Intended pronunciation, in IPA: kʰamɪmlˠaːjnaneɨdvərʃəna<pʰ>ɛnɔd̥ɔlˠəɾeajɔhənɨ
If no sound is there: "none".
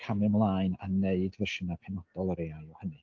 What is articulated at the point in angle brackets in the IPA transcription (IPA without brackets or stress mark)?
pʰ